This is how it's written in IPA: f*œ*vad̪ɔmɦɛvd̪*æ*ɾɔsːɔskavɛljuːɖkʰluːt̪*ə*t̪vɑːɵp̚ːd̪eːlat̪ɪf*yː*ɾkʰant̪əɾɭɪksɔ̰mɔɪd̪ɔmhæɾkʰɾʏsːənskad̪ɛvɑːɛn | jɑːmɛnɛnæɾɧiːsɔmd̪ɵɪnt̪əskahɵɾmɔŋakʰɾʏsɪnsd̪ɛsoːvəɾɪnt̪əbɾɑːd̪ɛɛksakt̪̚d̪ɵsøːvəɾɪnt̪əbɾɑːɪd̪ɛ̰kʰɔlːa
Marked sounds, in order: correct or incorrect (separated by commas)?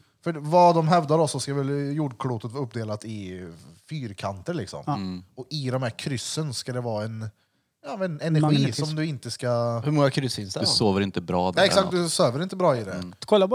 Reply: correct, incorrect, correct, correct